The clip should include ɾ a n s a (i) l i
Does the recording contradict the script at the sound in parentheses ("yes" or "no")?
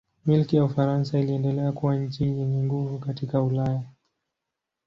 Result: no